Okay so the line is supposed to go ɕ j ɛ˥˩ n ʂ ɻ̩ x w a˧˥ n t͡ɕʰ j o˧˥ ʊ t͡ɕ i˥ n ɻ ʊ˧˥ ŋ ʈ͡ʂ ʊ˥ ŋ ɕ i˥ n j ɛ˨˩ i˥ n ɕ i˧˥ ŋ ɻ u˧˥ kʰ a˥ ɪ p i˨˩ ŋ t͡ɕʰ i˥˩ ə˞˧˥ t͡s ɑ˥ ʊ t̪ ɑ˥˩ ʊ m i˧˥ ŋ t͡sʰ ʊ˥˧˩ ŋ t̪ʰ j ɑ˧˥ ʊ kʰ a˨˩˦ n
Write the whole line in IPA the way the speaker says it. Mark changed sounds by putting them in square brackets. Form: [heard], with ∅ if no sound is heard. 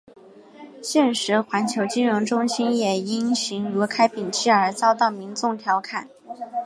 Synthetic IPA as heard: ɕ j ɛ˥˩ n ʂ ɻ̩ x w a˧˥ n t͡ɕʰ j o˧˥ ʊ t͡ɕ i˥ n ɻ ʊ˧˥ ŋ ʈ͡ʂ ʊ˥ ŋ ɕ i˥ n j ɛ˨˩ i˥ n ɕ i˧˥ ŋ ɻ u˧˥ kʰ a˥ ɪ p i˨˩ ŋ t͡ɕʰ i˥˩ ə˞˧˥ t͡s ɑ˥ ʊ t̪ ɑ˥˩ ʊ m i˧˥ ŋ [t͡s] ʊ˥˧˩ ŋ t̪ʰ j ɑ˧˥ ʊ kʰ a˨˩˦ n